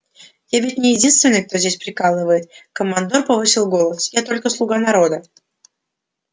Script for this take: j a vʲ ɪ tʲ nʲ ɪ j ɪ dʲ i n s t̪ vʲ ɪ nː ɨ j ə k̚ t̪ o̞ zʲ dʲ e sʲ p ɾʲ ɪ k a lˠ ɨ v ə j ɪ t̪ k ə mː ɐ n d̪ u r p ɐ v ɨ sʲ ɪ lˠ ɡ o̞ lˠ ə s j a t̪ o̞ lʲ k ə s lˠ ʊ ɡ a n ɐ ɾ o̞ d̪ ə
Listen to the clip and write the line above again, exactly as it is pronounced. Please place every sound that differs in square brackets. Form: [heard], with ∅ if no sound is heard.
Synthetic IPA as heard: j a vʲ ɪ tʲ nʲ ɪ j ɪ dʲ i n s t̪ vʲ ɪ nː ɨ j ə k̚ t̪ o̞ zʲ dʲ e sʲ p ɾʲ ɪ k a lˠ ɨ v ə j ɪ t̪ k ə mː ɐ n d̪ [o] r p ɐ v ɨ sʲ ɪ lˠ ɡ o̞ lˠ ə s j a t̪ o̞ lʲ k ə s lˠ ʊ ɡ a n ɐ ɾ o̞ d̪ ə